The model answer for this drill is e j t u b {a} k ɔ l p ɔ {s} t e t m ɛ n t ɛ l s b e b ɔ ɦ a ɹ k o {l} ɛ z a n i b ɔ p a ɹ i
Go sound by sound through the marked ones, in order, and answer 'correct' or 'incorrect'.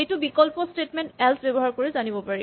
incorrect: i, correct, incorrect: ɹ

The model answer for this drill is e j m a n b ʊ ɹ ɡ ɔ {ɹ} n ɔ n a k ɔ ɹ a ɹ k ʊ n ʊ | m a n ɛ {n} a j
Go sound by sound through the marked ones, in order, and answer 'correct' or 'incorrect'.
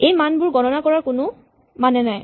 incorrect: none, correct

